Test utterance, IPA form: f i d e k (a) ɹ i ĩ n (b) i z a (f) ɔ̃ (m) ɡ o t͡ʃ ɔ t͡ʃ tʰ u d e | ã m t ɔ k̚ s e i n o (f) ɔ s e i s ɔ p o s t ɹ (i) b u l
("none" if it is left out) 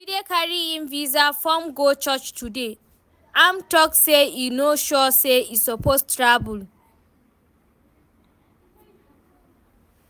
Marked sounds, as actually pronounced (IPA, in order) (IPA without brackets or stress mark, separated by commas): a, v, f, m, ʃ, a